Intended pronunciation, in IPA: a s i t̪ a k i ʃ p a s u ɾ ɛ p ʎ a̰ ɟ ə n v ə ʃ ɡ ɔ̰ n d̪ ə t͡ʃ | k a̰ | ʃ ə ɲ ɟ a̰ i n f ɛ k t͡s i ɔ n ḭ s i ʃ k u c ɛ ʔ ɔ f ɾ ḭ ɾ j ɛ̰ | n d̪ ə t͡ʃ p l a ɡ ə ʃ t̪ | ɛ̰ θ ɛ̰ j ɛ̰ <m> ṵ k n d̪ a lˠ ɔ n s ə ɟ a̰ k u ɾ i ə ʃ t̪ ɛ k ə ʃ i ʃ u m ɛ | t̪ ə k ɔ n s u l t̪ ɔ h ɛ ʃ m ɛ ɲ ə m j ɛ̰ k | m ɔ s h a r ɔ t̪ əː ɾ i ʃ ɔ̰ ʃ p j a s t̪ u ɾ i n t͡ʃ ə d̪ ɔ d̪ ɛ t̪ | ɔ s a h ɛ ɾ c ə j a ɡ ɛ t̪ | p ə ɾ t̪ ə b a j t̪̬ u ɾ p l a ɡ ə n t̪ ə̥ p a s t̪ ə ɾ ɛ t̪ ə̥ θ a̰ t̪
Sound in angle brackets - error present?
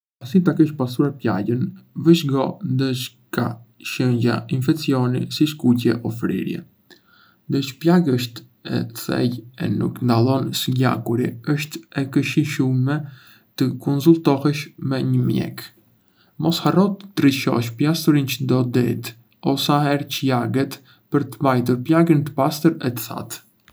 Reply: yes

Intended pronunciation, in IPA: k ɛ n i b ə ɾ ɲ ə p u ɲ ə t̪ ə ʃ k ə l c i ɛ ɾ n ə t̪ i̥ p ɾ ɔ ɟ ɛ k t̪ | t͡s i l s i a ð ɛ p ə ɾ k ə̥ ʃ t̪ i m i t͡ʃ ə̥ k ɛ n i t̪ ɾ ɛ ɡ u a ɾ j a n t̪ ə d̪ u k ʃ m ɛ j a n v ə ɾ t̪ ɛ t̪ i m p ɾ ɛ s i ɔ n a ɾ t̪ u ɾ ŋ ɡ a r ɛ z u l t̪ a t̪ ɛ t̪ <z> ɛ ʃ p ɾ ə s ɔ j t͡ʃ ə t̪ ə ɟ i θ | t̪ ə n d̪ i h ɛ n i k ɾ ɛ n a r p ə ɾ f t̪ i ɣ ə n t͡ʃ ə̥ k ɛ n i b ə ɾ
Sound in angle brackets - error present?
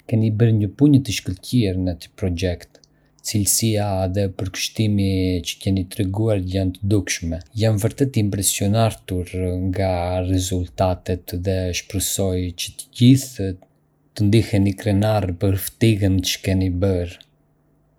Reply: yes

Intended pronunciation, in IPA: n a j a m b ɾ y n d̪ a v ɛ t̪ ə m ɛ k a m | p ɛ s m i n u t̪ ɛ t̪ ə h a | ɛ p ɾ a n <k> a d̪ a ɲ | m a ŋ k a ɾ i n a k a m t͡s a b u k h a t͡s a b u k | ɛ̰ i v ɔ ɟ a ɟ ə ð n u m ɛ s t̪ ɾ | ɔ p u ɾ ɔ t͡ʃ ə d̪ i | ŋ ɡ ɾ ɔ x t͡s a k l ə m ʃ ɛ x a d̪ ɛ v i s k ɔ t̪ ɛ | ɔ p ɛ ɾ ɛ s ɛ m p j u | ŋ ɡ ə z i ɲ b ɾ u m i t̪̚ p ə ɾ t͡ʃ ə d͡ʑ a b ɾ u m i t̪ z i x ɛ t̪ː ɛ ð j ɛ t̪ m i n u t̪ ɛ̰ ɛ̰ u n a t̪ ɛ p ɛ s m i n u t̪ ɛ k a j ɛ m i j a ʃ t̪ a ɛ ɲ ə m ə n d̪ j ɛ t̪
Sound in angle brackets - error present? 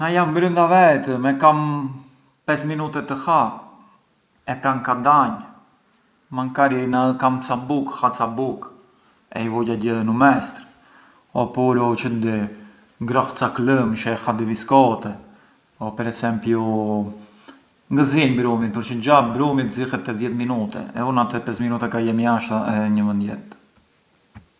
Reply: no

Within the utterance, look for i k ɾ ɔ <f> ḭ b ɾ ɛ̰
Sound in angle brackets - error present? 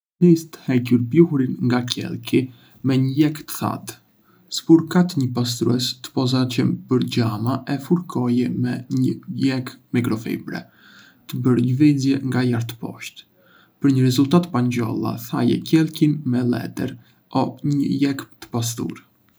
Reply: no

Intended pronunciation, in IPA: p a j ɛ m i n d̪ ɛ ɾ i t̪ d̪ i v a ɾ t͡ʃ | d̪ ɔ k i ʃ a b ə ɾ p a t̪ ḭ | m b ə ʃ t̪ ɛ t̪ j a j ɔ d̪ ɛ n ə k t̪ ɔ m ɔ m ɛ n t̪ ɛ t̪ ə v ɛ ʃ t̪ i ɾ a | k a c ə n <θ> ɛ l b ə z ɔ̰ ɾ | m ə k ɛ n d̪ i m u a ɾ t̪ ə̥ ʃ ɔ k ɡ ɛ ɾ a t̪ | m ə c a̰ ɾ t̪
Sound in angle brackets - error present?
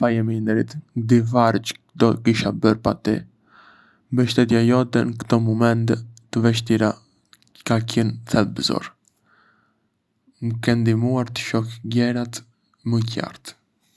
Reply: no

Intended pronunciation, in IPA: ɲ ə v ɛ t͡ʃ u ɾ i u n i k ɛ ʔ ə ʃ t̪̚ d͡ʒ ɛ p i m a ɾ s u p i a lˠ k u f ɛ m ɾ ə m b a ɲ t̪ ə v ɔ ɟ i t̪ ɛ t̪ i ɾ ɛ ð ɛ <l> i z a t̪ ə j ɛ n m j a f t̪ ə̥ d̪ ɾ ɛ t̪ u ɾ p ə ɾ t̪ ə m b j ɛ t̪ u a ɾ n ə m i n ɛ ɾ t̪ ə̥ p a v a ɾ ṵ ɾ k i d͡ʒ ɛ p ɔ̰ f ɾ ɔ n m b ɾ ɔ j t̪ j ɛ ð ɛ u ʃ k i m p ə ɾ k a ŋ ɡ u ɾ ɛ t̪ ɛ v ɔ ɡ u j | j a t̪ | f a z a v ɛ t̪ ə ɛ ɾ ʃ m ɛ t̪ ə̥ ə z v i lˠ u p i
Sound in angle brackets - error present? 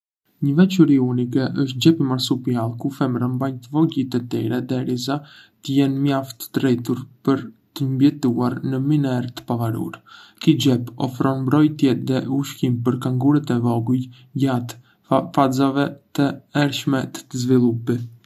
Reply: yes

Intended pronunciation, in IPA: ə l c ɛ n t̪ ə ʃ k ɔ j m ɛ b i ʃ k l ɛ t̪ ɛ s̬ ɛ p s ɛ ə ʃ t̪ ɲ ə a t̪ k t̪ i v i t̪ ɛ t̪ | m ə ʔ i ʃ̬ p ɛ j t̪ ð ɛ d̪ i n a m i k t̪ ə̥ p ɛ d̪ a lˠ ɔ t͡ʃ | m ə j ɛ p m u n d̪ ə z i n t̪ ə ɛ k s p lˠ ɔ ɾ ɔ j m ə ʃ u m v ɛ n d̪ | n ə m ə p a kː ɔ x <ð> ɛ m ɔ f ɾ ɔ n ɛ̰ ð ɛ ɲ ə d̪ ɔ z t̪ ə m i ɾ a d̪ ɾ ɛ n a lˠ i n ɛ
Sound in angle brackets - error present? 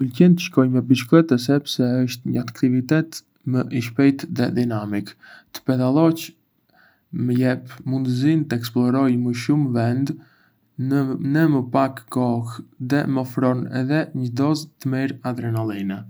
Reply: no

